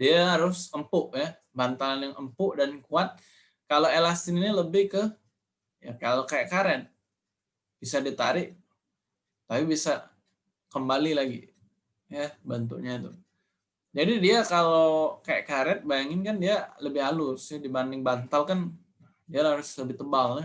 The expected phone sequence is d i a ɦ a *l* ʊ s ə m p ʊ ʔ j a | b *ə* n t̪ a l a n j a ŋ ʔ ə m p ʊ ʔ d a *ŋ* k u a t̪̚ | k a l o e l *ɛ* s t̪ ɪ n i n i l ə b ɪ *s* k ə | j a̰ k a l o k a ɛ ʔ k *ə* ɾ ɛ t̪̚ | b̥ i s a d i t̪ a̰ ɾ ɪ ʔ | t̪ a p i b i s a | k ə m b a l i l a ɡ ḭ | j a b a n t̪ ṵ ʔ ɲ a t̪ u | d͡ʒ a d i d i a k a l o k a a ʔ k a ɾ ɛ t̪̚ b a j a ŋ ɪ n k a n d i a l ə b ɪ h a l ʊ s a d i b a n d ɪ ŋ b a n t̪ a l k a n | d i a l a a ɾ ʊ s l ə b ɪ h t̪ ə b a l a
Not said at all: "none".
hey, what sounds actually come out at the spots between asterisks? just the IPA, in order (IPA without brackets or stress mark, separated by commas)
ɾ, a, n, a, h, a